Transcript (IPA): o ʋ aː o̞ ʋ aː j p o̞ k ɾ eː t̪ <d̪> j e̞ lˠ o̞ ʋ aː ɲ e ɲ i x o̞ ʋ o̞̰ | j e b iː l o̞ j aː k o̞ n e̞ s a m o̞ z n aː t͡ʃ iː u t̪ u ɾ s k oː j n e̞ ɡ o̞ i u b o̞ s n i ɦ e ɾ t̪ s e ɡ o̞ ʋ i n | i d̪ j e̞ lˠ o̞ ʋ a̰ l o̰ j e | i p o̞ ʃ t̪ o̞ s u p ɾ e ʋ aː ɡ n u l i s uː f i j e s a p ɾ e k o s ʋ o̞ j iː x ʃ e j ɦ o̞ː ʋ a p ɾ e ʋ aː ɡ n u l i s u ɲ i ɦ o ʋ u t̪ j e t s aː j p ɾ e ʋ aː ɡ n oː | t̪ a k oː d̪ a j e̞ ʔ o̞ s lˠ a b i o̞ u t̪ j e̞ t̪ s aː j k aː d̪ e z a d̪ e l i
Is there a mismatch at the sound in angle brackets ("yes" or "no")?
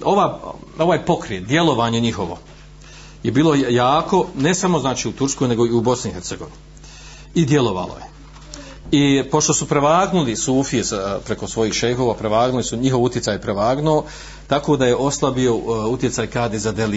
no